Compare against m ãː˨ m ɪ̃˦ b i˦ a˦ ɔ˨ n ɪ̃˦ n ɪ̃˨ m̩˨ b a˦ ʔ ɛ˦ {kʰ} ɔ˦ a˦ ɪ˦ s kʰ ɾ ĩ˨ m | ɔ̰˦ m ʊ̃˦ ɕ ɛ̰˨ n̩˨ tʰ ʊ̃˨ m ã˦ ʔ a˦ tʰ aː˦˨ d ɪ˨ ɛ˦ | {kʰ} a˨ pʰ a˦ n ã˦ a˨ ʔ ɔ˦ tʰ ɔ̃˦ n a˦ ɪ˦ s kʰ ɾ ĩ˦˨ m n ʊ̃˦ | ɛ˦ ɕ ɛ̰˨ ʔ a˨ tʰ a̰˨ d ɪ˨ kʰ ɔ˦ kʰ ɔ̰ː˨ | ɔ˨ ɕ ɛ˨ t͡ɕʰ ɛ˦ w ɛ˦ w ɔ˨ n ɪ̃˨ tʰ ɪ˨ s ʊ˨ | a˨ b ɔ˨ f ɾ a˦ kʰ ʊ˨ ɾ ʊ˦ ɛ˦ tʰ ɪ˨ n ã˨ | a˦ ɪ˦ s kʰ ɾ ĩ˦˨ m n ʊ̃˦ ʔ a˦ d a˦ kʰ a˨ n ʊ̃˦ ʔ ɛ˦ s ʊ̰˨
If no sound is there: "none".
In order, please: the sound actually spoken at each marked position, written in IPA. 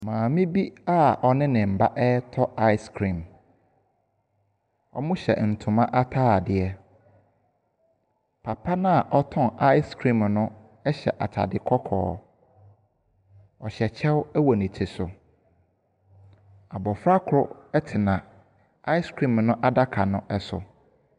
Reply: tʰ, pʰ

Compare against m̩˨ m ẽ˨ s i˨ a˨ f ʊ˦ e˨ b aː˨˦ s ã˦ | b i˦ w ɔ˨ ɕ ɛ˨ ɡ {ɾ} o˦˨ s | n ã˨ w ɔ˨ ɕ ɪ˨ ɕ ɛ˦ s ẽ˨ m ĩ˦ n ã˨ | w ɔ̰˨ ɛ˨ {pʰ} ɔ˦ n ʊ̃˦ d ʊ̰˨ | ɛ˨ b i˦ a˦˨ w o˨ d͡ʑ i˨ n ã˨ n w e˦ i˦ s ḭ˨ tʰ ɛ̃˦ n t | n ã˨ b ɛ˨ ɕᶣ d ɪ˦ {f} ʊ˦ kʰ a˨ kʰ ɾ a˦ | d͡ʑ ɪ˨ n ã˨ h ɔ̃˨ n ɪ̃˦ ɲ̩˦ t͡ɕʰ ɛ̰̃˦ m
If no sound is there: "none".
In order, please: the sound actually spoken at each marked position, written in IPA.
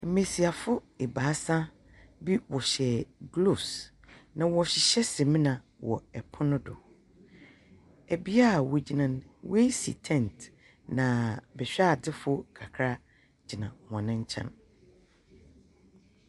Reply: l, pʰ, f

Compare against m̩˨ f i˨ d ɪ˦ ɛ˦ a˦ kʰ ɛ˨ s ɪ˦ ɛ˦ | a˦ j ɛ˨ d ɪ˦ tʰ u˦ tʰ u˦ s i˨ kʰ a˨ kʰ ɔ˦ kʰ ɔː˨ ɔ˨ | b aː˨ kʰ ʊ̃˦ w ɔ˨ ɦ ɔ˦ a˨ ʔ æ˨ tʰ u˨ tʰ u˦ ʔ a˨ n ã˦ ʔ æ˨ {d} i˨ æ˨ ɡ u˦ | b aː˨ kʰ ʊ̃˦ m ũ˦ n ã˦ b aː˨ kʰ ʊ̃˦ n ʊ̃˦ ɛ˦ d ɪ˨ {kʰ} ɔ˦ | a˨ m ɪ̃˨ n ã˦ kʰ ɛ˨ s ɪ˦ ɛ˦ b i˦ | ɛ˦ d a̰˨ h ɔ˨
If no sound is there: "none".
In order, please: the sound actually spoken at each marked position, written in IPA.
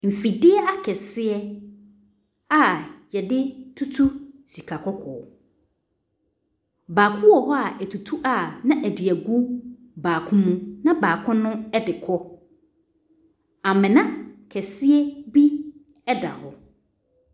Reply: d, kʰ

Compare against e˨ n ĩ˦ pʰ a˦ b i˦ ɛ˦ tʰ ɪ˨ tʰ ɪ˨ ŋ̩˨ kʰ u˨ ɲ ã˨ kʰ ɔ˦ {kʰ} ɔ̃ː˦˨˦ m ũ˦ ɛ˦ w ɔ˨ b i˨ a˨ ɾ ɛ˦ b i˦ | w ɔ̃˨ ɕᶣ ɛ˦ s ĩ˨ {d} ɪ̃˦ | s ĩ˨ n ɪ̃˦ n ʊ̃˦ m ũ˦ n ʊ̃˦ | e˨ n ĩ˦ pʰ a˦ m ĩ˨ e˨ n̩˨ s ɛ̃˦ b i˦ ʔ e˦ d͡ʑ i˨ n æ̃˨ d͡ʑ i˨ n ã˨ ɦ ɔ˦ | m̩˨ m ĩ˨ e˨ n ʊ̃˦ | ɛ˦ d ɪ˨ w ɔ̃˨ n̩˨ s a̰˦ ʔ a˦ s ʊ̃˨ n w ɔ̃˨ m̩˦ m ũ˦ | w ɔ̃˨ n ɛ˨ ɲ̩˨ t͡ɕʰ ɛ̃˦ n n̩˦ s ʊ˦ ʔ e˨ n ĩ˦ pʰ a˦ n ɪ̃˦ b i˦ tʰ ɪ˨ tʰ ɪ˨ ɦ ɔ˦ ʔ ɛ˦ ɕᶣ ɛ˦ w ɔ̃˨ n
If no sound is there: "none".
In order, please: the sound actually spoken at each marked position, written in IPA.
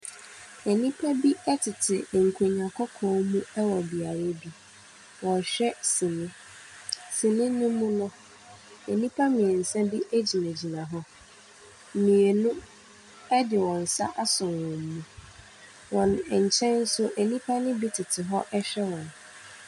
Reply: kʰ, n

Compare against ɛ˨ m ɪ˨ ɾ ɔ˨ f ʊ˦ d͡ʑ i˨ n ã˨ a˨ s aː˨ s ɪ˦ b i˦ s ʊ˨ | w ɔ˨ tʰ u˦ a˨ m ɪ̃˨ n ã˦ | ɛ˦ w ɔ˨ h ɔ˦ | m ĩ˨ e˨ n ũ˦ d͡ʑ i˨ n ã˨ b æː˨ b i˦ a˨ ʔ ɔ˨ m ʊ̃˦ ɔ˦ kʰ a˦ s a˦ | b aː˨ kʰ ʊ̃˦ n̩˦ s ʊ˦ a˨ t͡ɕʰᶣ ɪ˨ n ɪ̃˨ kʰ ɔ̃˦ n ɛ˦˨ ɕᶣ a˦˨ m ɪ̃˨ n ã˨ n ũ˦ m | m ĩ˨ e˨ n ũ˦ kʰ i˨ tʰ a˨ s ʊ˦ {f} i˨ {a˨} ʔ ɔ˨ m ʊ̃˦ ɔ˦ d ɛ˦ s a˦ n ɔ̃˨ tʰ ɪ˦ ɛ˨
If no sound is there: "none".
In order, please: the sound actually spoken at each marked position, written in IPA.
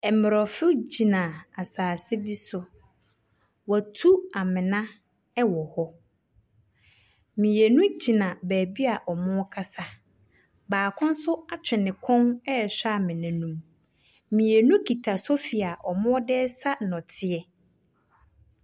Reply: f, a˨

